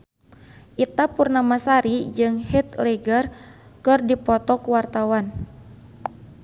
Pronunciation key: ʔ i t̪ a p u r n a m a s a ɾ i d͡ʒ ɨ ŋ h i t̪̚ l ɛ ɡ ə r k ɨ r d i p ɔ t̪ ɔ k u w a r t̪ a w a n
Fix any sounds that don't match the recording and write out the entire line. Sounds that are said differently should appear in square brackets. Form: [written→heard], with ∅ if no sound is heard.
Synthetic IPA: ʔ i t̪ a p u r n a m a s a ɾ i d͡ʒ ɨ ŋ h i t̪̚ l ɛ ɡ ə r k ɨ r d i p ɔ t̪ ɔ k u w a r t̪ a w a n